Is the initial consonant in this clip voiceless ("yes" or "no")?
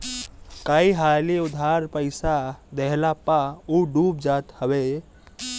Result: yes